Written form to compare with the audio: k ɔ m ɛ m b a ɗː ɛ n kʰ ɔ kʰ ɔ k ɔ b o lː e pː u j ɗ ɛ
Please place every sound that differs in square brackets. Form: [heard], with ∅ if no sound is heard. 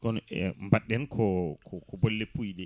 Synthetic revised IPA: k ɔ [n] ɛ m b a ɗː ɛ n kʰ ɔ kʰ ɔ k ɔ b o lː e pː u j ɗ ɛ